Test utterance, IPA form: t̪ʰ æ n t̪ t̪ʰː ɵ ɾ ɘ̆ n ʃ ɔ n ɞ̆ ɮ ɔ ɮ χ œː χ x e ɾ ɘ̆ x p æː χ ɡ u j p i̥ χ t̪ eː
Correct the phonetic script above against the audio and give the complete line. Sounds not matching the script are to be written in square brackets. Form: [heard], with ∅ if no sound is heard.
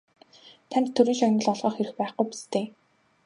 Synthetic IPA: t̪ʰ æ n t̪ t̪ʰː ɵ ɾ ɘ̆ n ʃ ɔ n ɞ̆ ɮ ɔ ɮ [ʁ] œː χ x e ɾ ɘ̆ x p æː χ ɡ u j p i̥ [s] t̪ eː